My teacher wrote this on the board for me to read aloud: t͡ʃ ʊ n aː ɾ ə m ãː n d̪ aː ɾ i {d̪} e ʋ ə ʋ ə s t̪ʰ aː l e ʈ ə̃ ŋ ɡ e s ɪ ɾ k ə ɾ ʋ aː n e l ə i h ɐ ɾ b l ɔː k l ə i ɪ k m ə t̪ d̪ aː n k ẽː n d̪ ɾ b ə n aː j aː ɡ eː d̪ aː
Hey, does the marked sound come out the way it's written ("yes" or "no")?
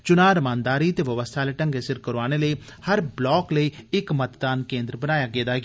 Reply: no